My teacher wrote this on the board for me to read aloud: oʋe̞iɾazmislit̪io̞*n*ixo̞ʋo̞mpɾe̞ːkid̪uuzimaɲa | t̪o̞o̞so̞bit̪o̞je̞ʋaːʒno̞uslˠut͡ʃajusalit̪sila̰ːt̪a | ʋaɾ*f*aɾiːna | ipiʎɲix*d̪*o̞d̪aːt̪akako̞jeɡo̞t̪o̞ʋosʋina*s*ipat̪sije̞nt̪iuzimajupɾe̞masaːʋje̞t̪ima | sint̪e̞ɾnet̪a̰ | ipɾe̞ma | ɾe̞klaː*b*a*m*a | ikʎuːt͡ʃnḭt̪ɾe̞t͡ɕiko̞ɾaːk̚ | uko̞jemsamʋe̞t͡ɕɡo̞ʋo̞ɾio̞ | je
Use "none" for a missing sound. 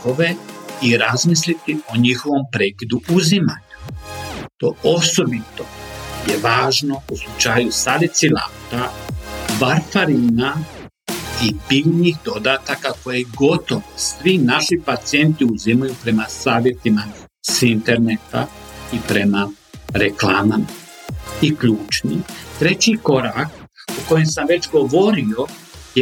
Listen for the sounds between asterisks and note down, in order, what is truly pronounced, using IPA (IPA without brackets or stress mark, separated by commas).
ɲ, f, d̪, ʃ, m, m